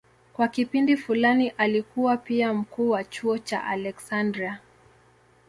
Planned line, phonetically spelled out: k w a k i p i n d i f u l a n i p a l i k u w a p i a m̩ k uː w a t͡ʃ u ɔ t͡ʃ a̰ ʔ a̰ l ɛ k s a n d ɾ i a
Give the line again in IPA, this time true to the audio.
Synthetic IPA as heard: k w a k i p i n d i f u l a n i ʔ a l i k u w a p i a m̩ k uː w a t͡ʃ u ɔ t͡ʃ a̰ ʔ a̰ l ɛ k s a n d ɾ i a